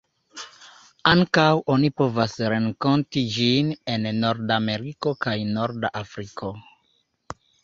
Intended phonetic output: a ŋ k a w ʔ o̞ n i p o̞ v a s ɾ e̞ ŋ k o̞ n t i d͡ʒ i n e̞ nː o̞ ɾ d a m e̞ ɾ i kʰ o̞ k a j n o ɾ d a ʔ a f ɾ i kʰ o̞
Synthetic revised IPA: a ŋ k a w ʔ o̞ n i p o̞ v a s ɾ e̞ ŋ k o̞ n t i d͡ʒ i n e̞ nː o̞ ɾ d a m e̞ ɾ i k o̞ k a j n o ɾ d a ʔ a f ɾ i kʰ o̞